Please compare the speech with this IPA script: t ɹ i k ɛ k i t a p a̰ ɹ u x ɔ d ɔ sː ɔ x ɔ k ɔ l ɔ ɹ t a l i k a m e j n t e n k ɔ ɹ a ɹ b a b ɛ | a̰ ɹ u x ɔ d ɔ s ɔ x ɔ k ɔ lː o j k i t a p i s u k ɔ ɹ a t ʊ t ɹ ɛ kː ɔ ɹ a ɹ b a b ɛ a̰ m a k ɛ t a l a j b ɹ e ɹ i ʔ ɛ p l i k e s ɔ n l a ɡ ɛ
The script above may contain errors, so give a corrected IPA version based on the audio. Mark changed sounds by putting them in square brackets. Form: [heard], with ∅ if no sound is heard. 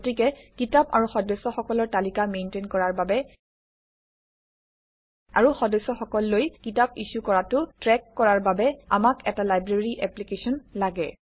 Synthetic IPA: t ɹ i k ɛ k i t a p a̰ ɹ u x ɔ d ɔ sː ɔ x ɔ k ɔ l ɔ ɹ t a l i k a m e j n t e n k ɔ ɹ a ɹ b a b ɛ | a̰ ɹ u x ɔ d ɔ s ɔ x ɔ k ɔ lː o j k i t a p i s u k ɔ ɹ a t ʊ t ɹ ɛ kː ɔ ɹ a ɹ b a b ɛ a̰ m a k ɛ t a l a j b ɹ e ɹ i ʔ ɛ p l i k e s ɔ n l a ɡ ɛ